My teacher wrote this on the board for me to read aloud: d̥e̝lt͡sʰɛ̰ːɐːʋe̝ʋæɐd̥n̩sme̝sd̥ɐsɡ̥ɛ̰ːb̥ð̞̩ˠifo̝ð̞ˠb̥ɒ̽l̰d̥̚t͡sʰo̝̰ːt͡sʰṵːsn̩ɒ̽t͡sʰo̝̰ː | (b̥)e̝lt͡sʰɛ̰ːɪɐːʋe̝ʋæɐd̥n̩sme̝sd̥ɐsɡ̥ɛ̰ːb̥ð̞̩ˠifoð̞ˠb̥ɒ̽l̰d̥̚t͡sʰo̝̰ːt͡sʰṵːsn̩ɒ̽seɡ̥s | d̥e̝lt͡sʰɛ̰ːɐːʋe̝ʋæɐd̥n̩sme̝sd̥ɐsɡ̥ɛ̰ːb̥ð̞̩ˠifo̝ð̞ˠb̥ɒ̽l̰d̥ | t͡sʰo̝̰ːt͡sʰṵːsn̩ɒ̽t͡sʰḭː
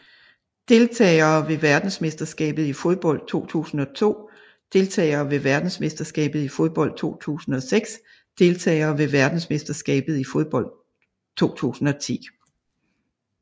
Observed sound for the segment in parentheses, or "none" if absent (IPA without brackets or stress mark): d̥